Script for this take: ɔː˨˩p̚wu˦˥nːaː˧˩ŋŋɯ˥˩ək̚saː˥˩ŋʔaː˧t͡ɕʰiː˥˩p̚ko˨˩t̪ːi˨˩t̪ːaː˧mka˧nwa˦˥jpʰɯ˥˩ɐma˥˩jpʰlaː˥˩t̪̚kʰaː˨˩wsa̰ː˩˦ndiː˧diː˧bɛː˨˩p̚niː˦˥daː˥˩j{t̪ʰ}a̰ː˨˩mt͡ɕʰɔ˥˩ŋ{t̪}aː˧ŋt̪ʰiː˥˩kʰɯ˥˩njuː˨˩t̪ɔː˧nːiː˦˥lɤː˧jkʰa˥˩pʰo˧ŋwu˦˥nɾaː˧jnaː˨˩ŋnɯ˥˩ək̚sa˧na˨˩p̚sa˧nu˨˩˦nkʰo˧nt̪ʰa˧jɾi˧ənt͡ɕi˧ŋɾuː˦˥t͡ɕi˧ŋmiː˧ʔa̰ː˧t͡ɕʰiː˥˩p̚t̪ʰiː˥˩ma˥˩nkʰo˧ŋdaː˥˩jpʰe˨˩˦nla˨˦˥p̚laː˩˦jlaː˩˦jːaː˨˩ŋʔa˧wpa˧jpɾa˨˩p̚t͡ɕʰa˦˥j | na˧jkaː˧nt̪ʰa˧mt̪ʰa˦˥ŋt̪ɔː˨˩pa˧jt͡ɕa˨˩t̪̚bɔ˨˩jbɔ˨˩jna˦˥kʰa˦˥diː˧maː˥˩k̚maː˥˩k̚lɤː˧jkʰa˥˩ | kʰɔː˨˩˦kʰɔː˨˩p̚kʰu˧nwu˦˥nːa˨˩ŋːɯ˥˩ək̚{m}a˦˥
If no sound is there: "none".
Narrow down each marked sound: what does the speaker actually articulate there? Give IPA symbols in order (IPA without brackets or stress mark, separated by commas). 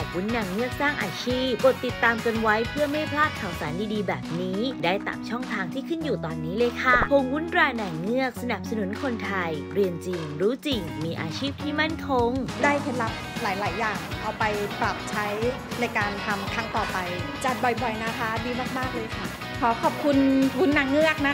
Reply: t̪, t̪ʰ, n